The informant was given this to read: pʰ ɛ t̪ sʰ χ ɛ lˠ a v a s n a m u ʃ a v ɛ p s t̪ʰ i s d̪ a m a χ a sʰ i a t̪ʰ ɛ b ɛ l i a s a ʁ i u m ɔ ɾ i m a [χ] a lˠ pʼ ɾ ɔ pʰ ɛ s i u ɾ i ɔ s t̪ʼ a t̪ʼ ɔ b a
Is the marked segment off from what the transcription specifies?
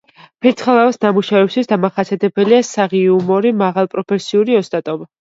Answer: yes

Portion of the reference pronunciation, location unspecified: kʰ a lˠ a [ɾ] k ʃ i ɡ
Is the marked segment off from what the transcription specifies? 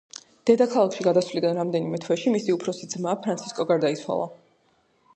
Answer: yes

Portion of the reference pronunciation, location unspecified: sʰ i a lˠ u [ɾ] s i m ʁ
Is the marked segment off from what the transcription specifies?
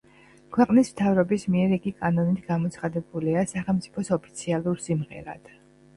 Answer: no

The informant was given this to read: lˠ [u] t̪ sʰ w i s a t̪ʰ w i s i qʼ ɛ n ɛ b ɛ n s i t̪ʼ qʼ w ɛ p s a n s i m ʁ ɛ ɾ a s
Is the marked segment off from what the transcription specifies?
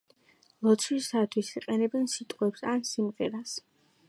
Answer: yes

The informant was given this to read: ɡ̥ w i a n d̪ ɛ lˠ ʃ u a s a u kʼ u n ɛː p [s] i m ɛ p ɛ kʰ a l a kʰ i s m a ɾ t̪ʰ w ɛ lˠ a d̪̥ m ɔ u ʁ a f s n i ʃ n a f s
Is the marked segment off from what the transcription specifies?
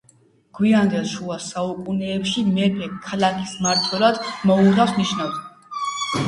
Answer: yes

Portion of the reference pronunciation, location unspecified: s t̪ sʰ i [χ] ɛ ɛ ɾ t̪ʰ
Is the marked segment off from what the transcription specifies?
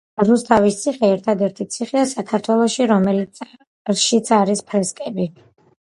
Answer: no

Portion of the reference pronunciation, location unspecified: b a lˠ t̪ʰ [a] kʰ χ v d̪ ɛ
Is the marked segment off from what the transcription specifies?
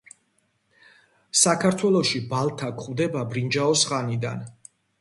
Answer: no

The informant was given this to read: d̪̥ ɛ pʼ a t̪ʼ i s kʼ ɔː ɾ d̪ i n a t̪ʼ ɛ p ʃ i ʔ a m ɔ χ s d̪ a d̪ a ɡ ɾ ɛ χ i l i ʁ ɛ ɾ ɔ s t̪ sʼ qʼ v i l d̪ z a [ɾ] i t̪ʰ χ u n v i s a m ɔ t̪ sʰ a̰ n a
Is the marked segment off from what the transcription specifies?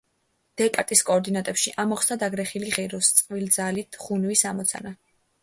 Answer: yes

